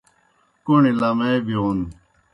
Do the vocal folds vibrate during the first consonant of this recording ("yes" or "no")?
no